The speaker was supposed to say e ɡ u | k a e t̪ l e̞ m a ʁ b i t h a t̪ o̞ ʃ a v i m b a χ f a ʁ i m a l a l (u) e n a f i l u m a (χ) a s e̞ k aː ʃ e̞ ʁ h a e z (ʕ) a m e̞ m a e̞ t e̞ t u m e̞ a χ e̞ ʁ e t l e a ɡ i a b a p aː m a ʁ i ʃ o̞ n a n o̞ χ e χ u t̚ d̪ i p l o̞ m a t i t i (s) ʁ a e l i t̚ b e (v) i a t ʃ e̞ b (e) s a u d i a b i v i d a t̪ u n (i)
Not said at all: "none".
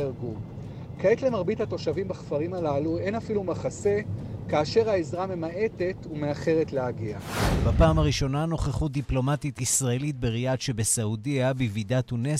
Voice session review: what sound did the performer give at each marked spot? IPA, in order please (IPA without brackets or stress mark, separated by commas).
u, χ, ʁ, s, ʁ, e, e